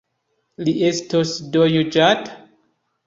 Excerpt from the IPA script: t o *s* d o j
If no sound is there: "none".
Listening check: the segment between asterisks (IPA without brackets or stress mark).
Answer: s